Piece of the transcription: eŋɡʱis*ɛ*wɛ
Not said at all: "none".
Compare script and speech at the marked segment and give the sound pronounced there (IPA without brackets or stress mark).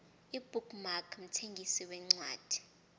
i